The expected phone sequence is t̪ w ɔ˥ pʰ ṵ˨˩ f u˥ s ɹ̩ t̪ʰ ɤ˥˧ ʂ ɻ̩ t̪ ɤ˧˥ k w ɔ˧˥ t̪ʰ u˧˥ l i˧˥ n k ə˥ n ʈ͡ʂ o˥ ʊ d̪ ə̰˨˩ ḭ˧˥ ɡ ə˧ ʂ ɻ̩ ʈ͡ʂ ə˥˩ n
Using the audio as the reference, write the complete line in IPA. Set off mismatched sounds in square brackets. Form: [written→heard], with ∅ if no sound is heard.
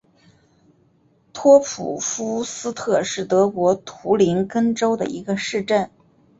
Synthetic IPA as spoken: [t̪→t̪ʰ] w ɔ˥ pʰ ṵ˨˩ f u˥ s ɹ̩ t̪ʰ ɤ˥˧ ʂ ɻ̩ t̪ ɤ˧˥ k w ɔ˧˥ t̪ʰ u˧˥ l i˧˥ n k ə˥ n ʈ͡ʂ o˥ ʊ d̪ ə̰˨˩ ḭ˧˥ ɡ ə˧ ʂ ɻ̩ ʈ͡ʂ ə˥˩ n